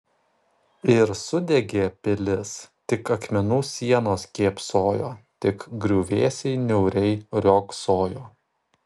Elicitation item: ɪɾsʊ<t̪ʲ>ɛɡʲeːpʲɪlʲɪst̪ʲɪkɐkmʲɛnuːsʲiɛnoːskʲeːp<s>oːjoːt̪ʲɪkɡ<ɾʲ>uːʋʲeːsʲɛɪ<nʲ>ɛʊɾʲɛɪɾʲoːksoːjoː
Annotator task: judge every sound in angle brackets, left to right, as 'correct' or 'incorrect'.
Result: incorrect: d̪ʲ, correct, correct, correct

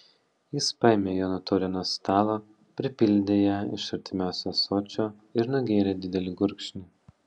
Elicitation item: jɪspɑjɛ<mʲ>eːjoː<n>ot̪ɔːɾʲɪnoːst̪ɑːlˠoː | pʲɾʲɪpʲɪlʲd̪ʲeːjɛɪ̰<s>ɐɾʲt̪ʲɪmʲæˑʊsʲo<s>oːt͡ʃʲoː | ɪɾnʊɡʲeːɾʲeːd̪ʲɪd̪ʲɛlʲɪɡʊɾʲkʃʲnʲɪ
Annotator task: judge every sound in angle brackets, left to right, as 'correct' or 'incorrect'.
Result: correct, correct, incorrect: ʃ, correct

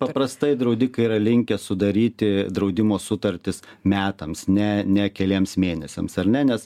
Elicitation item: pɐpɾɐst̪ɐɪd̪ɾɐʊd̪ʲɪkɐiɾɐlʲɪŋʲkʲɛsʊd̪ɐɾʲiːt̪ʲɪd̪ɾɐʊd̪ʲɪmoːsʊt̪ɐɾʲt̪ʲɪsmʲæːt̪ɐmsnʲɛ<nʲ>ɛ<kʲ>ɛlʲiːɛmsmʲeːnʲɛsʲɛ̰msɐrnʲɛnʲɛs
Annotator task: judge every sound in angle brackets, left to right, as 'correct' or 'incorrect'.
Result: correct, correct

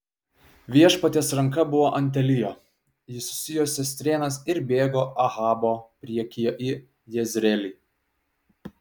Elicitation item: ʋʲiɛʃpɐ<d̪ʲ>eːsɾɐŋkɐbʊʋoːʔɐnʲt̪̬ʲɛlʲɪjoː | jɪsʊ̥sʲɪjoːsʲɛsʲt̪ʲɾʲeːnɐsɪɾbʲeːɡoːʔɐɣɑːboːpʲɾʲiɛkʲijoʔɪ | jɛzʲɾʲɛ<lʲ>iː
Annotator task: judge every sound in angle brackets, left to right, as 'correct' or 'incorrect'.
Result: incorrect: t̪ʲ, correct

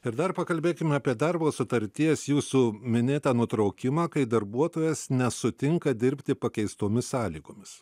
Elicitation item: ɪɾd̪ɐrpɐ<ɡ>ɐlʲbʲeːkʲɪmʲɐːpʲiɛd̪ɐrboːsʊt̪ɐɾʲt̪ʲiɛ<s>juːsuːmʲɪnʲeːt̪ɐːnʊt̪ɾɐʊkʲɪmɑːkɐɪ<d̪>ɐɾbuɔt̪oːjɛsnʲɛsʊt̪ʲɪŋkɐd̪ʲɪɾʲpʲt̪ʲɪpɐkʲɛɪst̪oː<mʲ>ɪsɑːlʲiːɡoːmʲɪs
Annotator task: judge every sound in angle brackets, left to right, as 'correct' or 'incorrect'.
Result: incorrect: k, correct, correct, correct

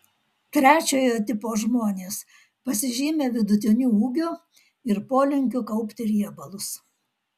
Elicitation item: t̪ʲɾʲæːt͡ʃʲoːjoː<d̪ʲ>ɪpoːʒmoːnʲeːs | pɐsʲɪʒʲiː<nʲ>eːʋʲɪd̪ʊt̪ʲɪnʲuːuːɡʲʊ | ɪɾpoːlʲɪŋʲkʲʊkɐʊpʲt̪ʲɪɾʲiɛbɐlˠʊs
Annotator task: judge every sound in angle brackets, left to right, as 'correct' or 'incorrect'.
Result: incorrect: t̪ʲ, incorrect: mʲ

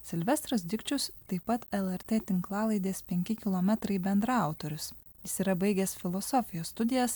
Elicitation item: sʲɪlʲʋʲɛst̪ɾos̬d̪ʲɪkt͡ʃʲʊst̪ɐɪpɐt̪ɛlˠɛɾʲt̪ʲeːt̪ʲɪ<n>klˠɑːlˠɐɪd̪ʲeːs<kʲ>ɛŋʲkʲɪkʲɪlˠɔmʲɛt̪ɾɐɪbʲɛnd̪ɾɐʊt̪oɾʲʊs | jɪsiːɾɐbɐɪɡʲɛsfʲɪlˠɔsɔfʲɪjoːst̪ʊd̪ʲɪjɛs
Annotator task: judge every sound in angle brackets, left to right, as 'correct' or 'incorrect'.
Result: incorrect: ŋ, incorrect: pʲ

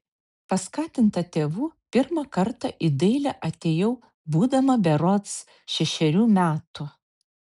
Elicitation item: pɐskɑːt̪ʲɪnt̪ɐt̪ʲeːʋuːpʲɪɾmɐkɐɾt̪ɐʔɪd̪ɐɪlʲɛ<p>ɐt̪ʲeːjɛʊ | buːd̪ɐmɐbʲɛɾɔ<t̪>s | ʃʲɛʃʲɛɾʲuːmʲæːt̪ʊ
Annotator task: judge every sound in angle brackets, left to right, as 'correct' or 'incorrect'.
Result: incorrect: ʔ, correct

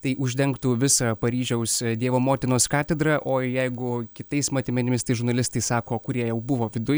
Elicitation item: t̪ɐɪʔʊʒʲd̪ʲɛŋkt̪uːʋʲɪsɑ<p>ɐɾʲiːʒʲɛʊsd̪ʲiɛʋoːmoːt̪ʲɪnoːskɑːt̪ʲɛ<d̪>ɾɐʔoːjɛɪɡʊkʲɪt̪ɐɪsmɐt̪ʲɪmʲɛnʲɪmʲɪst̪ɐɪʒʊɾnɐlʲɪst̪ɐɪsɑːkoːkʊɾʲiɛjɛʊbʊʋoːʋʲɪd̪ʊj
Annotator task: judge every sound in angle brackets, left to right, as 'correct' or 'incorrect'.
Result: correct, correct

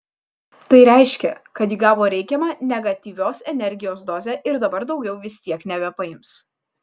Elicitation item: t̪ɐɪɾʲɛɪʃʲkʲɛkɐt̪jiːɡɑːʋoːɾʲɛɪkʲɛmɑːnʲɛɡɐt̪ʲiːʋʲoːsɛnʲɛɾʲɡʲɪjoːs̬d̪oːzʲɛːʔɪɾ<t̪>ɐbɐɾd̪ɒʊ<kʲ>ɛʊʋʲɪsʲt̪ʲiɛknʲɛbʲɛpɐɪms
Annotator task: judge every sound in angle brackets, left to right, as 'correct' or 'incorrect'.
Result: incorrect: d̪, incorrect: ɡʲ

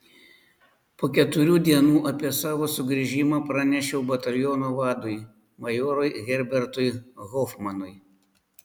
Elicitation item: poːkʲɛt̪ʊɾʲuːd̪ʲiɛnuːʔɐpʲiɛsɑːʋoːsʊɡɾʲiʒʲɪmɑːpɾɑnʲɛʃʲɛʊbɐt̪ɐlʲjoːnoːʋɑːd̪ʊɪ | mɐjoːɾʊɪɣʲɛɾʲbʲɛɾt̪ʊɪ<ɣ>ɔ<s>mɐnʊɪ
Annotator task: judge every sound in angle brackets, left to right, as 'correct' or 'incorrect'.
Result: correct, incorrect: f

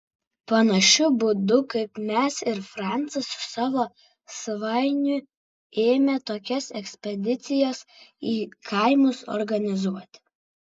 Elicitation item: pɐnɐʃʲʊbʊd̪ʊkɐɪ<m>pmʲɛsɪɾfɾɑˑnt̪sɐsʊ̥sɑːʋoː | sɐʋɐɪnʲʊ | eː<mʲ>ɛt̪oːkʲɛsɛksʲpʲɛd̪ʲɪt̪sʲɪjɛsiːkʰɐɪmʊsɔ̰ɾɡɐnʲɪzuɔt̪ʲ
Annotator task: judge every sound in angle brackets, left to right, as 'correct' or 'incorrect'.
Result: incorrect: none, correct

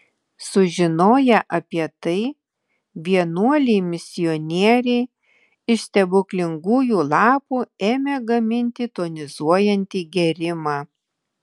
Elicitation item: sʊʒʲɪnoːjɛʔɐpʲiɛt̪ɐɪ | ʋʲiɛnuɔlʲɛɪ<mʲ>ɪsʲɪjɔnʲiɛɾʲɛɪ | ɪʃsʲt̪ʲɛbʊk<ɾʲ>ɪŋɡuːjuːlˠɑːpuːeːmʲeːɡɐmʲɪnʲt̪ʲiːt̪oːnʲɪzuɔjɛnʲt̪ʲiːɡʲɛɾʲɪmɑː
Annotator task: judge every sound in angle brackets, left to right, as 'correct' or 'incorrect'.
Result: correct, incorrect: lʲ

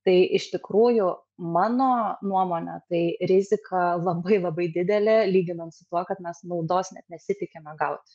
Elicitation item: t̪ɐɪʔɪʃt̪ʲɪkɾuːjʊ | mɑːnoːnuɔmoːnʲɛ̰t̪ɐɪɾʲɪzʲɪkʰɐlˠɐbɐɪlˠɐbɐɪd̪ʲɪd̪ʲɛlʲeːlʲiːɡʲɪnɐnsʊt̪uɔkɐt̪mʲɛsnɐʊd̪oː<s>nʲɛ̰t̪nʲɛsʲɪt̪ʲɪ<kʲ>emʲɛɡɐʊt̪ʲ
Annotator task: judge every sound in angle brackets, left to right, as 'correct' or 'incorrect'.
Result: correct, correct

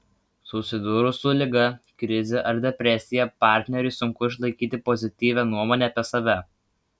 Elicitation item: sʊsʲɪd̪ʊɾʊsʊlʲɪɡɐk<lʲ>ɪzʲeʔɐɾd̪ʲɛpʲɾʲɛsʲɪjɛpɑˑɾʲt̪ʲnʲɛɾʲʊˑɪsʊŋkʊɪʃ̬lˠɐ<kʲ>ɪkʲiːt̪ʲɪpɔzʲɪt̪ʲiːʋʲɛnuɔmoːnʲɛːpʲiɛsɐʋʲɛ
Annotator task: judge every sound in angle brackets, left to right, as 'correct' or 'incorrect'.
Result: incorrect: ɾʲ, incorrect: none

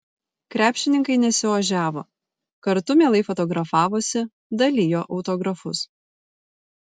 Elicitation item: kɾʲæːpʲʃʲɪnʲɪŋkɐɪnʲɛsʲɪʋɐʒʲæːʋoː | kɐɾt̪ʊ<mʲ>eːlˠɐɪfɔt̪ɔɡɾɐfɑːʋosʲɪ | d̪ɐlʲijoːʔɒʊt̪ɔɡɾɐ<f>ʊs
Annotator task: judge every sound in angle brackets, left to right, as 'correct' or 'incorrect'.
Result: correct, correct

